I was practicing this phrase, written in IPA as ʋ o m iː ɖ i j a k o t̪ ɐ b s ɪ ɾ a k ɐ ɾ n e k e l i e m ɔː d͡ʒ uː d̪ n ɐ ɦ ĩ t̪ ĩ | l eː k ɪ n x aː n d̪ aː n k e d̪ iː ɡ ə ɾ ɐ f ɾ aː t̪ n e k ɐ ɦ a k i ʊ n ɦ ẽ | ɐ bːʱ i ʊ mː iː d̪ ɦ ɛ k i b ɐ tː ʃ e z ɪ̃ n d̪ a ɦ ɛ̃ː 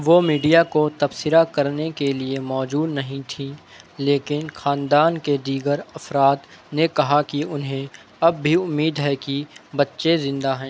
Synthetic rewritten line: ʋ o m iː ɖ i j a k o t̪ ɐ b s ɪ ɾ a k ɐ ɾ n e k e l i e m ɔː d͡ʒ uː d̪ n ɐ ɦ ĩ t̪ʰ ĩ | l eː k ɪ n x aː n d̪ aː n k e d̪ iː ɡ ə ɾ ɐ f ɾ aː t̪ n e k ɐ ɦ a k i ʊ n ɦ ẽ | ɐ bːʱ i ʊ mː iː d̪ ɦ ɛ k i b ɐ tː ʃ e z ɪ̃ n d̪ a ɦ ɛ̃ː